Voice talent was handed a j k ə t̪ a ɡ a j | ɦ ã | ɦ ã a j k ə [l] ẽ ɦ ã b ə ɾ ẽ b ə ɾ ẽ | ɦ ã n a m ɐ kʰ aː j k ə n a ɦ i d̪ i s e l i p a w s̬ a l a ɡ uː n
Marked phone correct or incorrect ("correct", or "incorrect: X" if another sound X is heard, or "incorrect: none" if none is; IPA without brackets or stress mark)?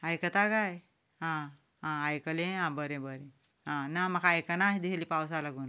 correct